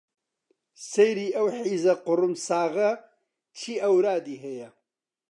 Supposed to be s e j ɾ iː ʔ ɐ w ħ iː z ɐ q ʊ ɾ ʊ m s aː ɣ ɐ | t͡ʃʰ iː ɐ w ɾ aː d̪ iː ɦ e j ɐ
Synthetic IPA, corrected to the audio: s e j ɾ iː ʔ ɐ w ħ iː z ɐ q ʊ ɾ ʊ m s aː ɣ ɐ | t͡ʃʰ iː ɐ w ɾ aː d̪ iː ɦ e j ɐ